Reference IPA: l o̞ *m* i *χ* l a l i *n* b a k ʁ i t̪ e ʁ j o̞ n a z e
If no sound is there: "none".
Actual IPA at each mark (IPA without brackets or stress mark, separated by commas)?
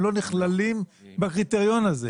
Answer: n, χ, m